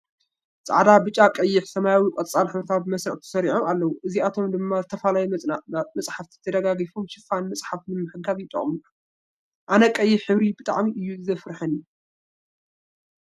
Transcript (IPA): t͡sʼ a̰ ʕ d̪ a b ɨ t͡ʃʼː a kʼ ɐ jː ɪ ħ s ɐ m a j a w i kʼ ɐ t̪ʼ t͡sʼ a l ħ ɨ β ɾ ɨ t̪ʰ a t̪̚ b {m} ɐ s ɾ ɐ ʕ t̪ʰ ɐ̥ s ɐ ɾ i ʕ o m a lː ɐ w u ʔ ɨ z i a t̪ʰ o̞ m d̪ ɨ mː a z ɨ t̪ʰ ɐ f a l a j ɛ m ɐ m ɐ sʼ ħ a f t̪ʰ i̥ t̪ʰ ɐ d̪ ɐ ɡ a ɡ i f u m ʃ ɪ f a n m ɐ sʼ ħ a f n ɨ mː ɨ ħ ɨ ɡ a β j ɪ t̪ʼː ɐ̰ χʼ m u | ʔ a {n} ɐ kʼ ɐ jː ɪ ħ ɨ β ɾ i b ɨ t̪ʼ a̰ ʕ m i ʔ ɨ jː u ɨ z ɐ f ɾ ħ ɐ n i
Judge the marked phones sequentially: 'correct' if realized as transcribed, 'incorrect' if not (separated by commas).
correct, correct